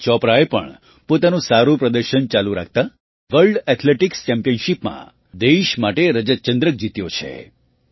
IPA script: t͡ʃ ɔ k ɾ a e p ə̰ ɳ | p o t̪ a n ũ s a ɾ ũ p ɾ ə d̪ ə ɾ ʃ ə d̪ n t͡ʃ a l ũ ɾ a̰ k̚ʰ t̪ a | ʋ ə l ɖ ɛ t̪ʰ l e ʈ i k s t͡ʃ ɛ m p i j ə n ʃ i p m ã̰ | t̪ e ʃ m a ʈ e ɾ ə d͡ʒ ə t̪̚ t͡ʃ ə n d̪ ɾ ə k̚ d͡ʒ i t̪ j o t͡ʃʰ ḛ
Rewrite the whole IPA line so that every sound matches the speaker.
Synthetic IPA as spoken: t͡ʃ ɔ p ɾ a e p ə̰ ɳ | p o t̪ a n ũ s a ɾ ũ p ɾ ə d̪ ə ɾ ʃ ə n t͡ʃ a l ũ ɾ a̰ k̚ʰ t̪ a | ʋ ə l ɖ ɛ t̪ʰ l e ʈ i k s t͡ʃ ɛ m p i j ə n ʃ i p m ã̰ | d̪ e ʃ m a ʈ e ɾ ə d͡ʒ ə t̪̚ t͡ʃ ə n d̪ ɾ ə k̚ d͡ʒ i t̪ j o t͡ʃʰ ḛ